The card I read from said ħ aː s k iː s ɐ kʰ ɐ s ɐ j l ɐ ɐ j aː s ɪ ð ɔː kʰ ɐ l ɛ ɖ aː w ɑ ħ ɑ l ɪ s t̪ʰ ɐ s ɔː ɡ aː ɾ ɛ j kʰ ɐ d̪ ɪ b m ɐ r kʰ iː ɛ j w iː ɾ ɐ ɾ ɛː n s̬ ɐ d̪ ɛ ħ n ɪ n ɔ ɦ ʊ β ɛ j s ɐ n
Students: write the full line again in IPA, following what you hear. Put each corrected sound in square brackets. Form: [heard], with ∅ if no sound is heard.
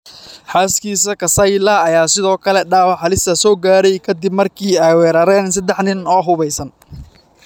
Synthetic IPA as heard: ħ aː s k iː s ɐ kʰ ɐ s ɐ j l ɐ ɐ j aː s ɪ ð ɔː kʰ ɐ l ɛ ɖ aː w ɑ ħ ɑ l ɪ s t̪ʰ ɐ s ɔː ɡ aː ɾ ɛ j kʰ ɐ d̪ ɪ b m ɐ r kʰ iː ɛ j w [ɛː] ɾ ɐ ɾ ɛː n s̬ ɐ d̪ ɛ ħ n ɪ n [ɔː] ɦ ʊ β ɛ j s ɐ n